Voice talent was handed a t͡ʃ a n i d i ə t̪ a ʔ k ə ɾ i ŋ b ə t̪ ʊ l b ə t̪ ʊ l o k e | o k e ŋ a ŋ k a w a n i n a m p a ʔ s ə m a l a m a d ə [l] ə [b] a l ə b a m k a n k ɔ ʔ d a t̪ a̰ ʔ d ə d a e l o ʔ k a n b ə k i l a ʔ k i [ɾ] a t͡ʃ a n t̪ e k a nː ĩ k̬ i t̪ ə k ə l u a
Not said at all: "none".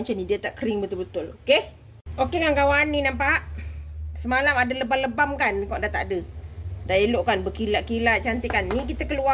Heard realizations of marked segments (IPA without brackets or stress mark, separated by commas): l, b, l